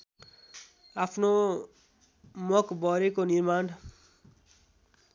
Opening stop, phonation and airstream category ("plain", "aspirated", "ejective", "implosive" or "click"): aspirated